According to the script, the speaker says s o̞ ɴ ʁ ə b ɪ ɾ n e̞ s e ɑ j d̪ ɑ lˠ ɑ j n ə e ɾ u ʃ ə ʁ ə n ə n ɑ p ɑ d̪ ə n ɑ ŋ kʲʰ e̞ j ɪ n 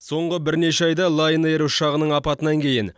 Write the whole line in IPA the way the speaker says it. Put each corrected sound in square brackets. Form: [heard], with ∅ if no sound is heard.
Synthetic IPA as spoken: s o̞ ɴ ʁ ə b ɪ ɾ n e̞ [ʃ] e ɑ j d̪ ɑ lˠ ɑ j n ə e ɾ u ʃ [ɑ] ʁ ə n ə [ɴ] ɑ p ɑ [t̪] ə n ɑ ŋ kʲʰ e̞ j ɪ n